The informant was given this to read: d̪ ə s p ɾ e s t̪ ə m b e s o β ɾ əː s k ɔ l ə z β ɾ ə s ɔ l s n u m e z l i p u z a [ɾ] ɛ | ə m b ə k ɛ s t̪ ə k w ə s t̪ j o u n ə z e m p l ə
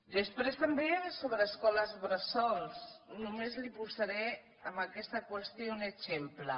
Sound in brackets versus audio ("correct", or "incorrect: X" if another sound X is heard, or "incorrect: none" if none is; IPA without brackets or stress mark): correct